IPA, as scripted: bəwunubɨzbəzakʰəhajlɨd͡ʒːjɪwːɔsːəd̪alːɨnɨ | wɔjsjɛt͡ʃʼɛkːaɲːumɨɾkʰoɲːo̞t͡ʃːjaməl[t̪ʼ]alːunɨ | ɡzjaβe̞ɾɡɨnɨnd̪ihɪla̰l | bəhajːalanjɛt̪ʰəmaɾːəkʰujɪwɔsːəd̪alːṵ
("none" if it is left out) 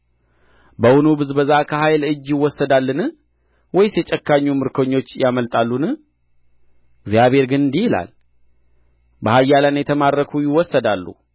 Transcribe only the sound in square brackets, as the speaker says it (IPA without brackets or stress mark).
t̪ʼ